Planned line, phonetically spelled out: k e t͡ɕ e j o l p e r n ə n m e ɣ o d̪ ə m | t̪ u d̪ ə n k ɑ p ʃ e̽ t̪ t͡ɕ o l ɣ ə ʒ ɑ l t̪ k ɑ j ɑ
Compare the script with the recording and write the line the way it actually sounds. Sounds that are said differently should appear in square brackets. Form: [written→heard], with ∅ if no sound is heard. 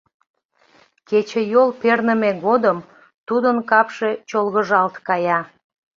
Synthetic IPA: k e t͡ɕ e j o l p e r n ə [n→∅] m e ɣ o d̪ ə m | t̪ u d̪ ə n k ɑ p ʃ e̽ [t̪→∅] t͡ɕ o l ɣ ə ʒ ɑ l t̪ k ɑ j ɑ